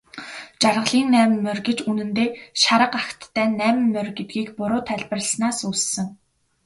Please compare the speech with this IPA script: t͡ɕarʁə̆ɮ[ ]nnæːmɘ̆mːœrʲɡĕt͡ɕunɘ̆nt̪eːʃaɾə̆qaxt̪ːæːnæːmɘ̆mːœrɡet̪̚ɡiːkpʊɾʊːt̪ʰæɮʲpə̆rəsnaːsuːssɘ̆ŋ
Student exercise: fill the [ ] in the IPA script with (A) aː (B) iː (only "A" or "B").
B